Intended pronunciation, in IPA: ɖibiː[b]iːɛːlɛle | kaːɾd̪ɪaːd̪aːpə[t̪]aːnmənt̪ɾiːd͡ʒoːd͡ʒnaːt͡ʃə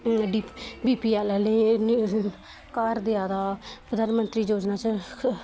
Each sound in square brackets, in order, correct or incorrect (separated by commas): incorrect, incorrect